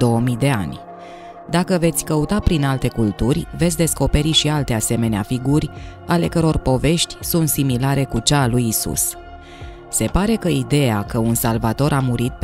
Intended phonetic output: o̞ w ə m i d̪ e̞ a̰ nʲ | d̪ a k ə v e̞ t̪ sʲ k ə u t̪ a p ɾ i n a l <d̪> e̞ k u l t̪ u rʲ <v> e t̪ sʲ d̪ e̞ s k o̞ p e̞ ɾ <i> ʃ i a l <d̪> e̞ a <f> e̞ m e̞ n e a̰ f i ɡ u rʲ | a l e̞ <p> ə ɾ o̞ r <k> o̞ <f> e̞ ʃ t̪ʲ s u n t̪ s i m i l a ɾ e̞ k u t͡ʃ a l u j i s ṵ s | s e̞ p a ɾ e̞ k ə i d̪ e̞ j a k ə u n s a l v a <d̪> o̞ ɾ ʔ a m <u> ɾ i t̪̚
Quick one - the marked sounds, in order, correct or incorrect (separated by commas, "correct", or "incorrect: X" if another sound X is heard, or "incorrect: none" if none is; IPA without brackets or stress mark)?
incorrect: t̪, correct, correct, incorrect: t̪, incorrect: s, incorrect: k, incorrect: p, incorrect: v, incorrect: t̪, correct